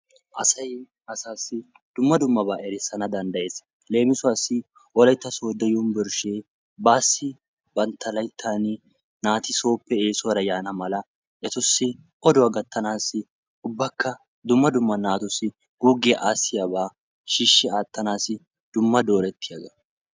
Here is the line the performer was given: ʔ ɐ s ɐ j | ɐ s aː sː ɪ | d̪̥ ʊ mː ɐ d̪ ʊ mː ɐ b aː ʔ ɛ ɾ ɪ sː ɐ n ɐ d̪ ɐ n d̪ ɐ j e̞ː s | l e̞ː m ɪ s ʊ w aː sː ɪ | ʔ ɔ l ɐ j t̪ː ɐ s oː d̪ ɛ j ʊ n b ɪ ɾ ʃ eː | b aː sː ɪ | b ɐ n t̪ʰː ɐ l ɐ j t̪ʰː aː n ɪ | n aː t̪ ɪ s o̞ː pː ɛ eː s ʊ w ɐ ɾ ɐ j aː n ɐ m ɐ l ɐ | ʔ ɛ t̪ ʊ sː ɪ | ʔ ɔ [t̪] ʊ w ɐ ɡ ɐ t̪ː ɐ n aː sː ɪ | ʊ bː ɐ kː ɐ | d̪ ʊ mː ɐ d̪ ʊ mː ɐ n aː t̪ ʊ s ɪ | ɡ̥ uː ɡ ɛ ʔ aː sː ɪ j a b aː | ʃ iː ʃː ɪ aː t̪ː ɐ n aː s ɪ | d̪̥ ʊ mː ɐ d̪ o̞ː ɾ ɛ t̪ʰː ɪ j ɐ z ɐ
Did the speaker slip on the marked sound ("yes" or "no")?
yes